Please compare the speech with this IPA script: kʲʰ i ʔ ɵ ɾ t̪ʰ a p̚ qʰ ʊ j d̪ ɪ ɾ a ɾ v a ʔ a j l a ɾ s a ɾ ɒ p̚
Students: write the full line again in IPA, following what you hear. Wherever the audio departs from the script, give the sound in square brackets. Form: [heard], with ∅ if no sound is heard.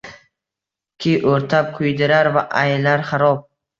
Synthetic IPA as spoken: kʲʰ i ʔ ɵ ɾ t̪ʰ a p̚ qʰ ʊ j d̪ ɪ ɾ a ɾ v a ʔ a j l a ɾ [χ] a ɾ ɒ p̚